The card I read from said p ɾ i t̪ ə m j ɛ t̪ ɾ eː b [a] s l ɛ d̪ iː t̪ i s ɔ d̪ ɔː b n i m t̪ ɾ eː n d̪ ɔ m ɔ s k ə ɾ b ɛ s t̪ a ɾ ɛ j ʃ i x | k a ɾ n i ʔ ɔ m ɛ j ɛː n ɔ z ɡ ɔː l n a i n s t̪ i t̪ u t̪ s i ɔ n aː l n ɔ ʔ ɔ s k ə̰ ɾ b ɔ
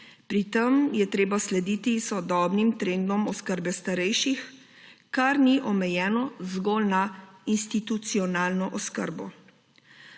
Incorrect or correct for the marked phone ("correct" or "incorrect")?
correct